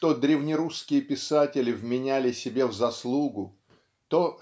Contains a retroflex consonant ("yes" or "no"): no